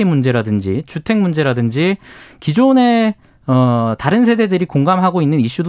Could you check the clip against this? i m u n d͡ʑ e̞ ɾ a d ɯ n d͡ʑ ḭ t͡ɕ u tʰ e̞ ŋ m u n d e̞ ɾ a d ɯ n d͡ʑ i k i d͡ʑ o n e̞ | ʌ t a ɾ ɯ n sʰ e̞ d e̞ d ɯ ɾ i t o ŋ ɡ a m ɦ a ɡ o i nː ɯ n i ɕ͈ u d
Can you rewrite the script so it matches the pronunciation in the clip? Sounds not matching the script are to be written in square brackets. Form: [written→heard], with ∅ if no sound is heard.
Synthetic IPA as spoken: i m u n d͡ʑ e̞ ɾ a d ɯ n d͡ʑ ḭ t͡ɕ u tʰ e̞ ŋ m u n [d→d͡ʑ] e̞ ɾ a d ɯ n d͡ʑ i k i d͡ʑ o n e̞ | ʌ t a ɾ ɯ n sʰ e̞ d e̞ d ɯ ɾ i [t→k] o ŋ ɡ a m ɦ a ɡ o i nː ɯ n i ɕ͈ u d